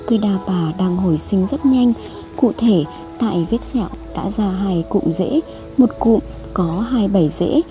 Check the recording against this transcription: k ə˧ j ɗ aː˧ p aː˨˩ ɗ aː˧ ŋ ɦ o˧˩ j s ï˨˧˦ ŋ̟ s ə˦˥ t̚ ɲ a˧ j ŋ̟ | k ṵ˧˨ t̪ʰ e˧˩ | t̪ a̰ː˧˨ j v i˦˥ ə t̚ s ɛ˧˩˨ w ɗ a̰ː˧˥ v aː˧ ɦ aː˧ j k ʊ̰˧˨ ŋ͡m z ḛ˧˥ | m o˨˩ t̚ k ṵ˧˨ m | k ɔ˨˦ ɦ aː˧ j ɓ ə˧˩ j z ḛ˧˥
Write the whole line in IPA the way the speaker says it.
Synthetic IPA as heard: k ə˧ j ɗ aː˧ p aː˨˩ ɗ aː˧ ŋ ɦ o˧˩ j s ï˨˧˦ ŋ̟ z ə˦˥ t̚ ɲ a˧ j ŋ̟ | k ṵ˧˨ t̪ʰ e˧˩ | t̪ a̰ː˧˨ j v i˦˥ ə t̚ s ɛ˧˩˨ w ɗ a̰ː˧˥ z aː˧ ɦ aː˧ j k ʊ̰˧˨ ŋ͡m z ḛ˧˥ | m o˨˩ t̚ k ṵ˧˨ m | k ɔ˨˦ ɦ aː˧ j ɓ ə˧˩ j z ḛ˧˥